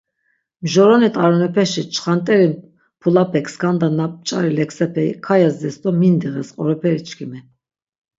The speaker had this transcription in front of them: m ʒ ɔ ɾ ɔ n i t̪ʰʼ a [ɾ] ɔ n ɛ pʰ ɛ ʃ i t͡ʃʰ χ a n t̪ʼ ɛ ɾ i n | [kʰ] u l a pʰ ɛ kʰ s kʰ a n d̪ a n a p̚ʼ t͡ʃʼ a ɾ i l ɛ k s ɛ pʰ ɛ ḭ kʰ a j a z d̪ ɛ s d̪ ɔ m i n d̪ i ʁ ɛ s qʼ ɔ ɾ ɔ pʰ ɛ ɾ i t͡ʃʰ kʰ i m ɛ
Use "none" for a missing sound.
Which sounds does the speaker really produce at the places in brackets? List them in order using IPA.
ɾ, pʰ

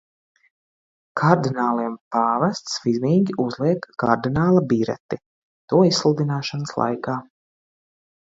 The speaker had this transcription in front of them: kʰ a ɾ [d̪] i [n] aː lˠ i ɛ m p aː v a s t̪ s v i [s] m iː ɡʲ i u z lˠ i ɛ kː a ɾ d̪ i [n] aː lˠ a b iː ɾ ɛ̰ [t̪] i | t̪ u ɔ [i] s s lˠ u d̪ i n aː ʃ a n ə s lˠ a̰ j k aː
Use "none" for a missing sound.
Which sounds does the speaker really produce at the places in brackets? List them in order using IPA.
d̪, n, z, n, t̪, i

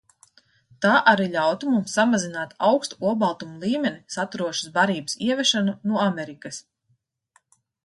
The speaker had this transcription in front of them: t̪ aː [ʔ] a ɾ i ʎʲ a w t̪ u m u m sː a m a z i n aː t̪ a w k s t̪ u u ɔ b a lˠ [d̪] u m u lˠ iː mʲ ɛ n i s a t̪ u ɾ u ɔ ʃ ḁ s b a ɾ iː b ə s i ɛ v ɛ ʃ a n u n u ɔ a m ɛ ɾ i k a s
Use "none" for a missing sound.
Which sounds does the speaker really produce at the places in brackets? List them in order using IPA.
ʔ, t̪

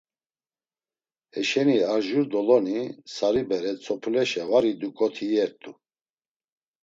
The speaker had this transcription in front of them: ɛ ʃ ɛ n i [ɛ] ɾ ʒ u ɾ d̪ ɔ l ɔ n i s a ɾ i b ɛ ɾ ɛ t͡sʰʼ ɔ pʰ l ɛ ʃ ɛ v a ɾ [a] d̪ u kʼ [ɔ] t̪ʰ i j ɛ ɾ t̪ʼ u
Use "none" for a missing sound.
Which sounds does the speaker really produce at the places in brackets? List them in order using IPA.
a, i, ɔ

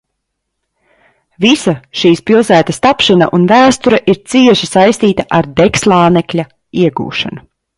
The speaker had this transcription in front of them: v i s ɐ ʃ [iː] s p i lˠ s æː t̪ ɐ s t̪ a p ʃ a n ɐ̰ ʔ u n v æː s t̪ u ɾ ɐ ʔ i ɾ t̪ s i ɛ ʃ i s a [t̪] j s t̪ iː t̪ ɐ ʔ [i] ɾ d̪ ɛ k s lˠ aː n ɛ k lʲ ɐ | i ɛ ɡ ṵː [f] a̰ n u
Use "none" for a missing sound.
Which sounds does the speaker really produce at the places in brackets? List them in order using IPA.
iː, none, a, ʃ

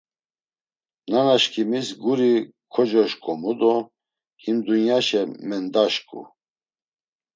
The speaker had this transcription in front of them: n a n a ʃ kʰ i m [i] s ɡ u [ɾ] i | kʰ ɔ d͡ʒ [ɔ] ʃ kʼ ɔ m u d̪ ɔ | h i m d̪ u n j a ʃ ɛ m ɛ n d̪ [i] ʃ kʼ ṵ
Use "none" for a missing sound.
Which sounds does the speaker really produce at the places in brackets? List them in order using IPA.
i, ɾ, ɔ, a

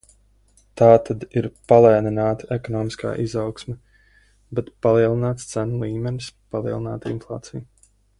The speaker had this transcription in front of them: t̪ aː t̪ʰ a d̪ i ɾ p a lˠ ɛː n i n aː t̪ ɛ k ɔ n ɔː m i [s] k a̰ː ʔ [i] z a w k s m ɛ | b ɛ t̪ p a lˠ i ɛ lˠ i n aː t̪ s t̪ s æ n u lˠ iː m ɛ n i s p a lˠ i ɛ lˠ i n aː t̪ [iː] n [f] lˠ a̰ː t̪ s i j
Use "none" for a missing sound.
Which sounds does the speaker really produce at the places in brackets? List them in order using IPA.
s, i, i, f

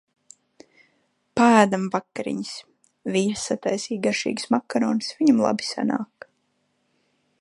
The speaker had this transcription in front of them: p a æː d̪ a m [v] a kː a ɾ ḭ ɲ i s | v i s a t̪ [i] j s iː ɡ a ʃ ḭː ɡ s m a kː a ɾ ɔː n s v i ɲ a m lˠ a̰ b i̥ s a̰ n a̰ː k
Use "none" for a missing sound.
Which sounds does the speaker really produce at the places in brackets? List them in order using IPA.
v, a

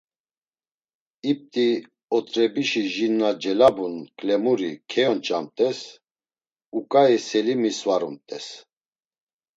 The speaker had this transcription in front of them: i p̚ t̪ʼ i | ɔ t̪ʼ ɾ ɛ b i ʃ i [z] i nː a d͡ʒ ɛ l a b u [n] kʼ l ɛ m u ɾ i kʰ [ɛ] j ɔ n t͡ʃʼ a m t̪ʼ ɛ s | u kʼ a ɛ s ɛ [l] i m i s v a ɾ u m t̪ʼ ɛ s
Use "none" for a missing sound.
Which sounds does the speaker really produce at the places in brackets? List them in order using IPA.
ʒ, n, ɛ, l

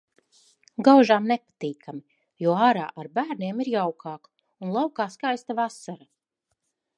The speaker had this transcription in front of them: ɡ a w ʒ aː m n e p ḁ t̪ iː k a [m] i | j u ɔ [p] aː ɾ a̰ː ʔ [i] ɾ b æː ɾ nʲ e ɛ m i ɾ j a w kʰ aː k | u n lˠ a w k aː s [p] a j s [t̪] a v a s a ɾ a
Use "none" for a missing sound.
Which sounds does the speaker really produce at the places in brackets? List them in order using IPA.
m, none, a, k, t̪

